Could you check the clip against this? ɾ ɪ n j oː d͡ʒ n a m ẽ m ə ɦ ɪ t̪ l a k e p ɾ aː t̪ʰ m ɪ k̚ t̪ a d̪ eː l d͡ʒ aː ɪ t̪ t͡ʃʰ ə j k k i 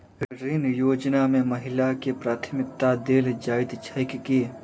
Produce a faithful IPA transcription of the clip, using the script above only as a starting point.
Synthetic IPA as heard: ɾ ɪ n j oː d͡ʒ n a m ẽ m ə ɦ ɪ l a k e p ɾ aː t̪ʰ m ɪ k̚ t̪ a d̪ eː l d͡ʒ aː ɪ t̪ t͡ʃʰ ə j k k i